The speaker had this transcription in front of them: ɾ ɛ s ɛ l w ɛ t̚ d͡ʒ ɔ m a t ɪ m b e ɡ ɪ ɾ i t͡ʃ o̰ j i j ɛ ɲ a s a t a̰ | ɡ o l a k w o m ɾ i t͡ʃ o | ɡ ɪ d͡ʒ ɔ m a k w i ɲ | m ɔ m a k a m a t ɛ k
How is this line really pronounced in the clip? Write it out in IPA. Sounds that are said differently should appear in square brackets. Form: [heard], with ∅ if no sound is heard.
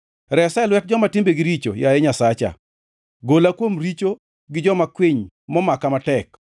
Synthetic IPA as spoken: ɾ ɛ s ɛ l w ɛ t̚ d͡ʒ ɔ m a t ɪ m b e ɡ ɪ ɾ i t͡ʃ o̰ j [a] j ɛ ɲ a s a [t͡ʃ] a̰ | ɡ o l a k w o m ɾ i t͡ʃ o | ɡ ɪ d͡ʒ ɔ m a k w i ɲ | m ɔ m a k a m a t ɛ k